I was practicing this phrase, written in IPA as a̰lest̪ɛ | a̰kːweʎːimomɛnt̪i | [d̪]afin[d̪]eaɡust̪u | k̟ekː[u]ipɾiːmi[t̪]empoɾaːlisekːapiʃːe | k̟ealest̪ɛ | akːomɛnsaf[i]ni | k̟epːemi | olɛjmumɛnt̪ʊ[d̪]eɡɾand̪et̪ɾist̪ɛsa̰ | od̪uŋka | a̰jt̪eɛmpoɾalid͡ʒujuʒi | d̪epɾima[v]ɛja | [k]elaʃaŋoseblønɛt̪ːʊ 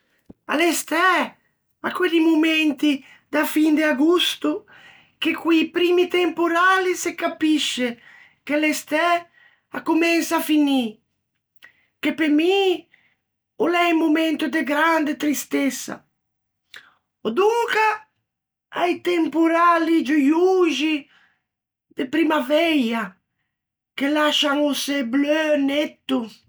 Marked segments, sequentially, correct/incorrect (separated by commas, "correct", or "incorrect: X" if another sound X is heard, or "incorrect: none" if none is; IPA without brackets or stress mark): correct, correct, incorrect: w, correct, correct, correct, correct, correct